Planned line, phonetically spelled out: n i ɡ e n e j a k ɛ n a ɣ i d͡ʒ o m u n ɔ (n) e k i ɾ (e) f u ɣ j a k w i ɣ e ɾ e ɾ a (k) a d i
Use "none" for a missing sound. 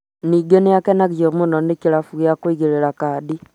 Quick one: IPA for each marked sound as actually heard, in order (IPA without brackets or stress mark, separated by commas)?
n, a, k